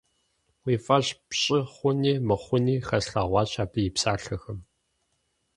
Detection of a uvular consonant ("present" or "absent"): present